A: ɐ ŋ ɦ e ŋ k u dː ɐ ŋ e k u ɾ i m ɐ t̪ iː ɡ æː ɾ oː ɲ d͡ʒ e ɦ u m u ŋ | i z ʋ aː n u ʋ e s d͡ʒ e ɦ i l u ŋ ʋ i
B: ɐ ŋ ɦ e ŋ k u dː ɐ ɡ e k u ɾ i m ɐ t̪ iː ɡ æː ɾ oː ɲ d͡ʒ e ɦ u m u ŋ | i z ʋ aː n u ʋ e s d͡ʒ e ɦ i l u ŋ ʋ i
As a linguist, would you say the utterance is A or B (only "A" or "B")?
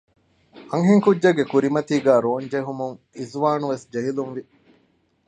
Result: B